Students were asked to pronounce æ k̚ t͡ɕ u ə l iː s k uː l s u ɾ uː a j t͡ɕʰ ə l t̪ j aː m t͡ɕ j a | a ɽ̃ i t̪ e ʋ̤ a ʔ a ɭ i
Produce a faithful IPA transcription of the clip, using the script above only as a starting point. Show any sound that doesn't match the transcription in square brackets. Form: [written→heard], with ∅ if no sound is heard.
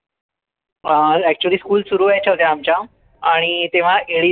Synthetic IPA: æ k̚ t͡ɕ u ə l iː s k uː l s u ɾ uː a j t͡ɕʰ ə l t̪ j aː m t͡ɕ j a | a ɽ̃ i t̪ e ʋ̤ a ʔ [a→e] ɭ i